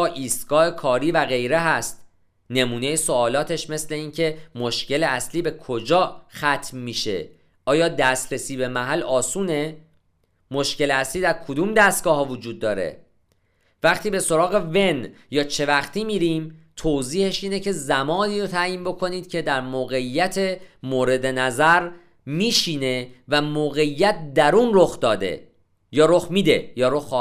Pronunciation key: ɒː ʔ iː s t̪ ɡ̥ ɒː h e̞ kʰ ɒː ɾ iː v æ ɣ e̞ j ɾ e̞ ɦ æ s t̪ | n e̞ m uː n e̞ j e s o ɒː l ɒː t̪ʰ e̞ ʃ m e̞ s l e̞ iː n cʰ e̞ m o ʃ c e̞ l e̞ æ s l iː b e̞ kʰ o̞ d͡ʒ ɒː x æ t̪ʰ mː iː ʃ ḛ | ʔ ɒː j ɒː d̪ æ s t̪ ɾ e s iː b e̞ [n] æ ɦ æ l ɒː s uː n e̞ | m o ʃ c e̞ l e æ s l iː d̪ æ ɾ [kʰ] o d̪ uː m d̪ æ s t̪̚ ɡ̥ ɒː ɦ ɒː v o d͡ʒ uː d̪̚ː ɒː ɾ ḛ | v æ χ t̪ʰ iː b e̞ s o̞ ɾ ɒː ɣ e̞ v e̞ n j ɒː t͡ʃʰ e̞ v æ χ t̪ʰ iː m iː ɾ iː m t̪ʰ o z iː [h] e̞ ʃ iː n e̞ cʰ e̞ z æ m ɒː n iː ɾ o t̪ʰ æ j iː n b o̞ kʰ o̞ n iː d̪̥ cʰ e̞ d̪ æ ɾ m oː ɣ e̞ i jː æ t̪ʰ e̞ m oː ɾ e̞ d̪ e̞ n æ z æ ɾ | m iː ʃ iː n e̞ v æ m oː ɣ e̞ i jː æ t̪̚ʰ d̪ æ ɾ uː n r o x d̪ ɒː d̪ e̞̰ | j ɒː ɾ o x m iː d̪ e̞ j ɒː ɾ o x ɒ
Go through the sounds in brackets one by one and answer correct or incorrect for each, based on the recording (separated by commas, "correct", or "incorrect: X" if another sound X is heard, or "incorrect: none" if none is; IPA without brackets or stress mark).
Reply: incorrect: m, correct, correct